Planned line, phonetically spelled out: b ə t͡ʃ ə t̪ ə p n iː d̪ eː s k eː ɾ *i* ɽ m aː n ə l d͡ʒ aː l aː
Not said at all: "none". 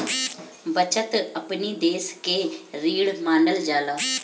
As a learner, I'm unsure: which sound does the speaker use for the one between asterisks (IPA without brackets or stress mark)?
iː